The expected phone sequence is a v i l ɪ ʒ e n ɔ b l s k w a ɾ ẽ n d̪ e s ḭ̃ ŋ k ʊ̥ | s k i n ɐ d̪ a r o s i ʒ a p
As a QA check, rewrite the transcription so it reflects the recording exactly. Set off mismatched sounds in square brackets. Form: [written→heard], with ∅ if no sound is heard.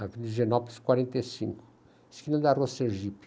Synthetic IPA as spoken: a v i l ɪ ʒ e n ɔ [b→p] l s k w a ɾ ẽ n [d̪→t̪] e s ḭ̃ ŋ k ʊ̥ | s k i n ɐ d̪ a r o s [i→e] ʒ [a→i] p